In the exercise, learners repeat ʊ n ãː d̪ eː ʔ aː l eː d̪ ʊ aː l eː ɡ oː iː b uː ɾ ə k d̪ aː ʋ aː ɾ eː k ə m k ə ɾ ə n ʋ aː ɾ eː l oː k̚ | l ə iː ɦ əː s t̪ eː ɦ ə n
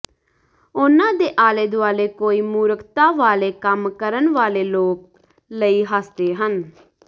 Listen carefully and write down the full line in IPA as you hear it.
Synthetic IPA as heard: ʊ n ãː d̪ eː ʔ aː l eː d̪ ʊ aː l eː k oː iː m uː ɾ ə k t̪ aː ʋ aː l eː k ə m k ə ɾ ə n ʋ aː l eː l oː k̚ | l ə iː ɦ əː s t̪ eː ɦ ə n